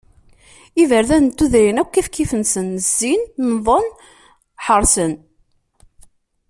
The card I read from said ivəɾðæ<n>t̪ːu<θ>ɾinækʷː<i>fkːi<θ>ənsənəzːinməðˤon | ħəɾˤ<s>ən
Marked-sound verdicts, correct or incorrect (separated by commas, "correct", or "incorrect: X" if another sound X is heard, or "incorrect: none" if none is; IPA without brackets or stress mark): correct, incorrect: ð, correct, incorrect: f, correct